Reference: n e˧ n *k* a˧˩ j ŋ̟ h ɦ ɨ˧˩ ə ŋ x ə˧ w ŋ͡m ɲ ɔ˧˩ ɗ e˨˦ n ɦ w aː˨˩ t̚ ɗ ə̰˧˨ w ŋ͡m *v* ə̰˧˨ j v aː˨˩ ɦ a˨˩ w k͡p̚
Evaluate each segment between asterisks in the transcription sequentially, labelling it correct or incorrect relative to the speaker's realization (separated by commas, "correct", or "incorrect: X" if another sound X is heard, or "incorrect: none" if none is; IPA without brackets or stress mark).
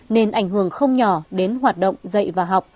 incorrect: ʔ, incorrect: z